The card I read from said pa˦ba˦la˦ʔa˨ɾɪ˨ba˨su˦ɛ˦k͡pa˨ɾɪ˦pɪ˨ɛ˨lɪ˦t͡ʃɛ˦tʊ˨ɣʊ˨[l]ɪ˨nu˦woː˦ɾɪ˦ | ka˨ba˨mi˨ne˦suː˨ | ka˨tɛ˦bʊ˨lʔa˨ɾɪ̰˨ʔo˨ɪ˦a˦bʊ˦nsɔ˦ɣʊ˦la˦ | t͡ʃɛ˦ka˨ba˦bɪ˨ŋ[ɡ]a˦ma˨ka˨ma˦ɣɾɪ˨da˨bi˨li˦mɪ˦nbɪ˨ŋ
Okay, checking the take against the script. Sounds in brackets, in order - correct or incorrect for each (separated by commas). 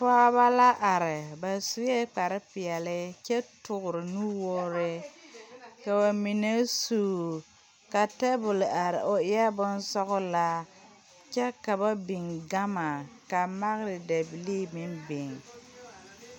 incorrect, correct